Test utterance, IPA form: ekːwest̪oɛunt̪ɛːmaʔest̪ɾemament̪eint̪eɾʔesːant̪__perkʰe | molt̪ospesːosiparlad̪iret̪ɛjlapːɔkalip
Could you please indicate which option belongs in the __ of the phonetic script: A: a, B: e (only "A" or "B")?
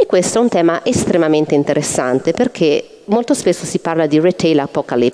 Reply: B